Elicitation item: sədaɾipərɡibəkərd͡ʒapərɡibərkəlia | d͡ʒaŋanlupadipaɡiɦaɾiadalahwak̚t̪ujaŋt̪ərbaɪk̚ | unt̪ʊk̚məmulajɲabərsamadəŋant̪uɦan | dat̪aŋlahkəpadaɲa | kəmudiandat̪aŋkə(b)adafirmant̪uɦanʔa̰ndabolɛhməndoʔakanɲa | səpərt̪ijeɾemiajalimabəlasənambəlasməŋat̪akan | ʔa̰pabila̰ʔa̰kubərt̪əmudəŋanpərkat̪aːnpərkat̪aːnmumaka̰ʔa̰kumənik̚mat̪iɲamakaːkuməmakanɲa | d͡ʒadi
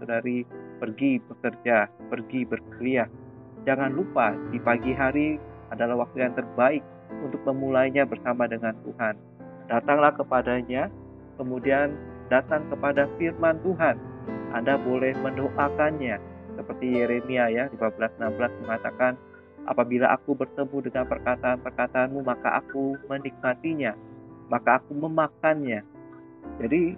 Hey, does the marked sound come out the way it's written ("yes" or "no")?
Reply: no